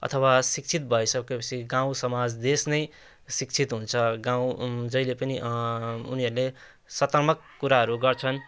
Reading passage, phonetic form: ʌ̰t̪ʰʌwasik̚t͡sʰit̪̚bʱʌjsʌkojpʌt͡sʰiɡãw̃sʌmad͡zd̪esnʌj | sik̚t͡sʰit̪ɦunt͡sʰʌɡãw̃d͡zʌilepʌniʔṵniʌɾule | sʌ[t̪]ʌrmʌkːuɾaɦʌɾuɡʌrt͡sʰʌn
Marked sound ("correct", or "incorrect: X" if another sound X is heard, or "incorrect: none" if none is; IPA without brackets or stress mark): correct